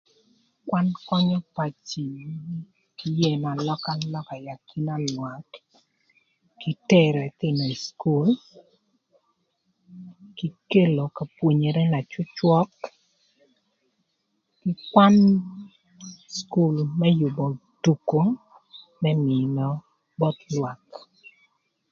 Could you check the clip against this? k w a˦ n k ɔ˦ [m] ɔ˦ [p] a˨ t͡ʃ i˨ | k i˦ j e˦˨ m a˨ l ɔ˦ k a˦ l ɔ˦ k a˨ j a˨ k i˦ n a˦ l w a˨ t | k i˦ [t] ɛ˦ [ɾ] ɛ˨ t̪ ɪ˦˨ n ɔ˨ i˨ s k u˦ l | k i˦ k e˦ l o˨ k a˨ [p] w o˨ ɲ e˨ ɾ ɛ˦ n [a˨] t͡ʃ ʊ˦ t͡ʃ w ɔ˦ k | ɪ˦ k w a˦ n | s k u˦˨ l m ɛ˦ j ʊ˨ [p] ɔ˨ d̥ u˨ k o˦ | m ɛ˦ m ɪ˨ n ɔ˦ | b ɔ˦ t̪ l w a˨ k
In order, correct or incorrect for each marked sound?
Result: incorrect, correct, correct, correct, correct, correct, incorrect

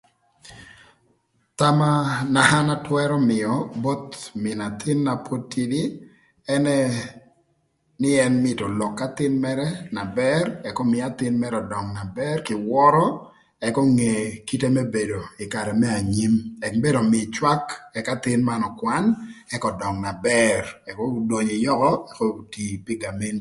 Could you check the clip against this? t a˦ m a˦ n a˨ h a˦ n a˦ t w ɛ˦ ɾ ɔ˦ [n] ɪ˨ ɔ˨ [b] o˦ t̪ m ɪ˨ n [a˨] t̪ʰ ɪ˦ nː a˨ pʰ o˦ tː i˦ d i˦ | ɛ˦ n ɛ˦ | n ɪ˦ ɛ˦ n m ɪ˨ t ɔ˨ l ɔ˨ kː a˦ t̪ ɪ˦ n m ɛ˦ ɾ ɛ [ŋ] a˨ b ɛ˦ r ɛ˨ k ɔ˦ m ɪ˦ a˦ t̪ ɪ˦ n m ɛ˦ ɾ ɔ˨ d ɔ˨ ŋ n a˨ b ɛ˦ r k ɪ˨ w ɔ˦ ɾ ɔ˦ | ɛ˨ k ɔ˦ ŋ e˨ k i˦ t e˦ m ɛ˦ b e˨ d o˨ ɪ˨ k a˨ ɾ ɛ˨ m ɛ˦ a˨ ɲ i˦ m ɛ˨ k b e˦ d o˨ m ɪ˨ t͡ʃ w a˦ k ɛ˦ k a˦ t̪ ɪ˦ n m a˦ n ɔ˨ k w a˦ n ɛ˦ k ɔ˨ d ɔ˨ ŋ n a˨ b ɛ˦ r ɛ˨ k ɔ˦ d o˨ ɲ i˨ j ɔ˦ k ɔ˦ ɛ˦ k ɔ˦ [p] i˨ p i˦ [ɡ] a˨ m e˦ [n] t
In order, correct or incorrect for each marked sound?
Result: incorrect, correct, correct, incorrect, incorrect, correct, correct

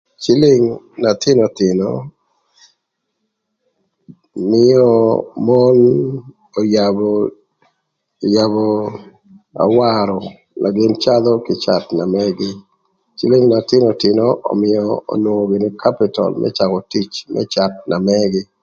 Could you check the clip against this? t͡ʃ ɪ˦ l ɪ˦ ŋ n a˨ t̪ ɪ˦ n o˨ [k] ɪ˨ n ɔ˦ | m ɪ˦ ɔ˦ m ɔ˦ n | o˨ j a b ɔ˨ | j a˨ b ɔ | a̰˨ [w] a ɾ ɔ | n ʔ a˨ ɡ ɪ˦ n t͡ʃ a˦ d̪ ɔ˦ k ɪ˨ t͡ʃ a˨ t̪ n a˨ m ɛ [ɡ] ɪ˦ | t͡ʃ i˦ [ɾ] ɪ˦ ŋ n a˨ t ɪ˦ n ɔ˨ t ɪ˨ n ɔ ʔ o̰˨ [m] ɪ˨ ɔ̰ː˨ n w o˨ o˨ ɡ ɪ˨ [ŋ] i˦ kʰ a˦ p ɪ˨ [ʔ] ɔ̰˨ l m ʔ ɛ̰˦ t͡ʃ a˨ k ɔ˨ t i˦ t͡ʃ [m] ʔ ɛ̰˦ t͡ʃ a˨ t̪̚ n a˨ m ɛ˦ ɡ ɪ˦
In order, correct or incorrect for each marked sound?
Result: incorrect, correct, correct, incorrect, correct, incorrect, incorrect, correct

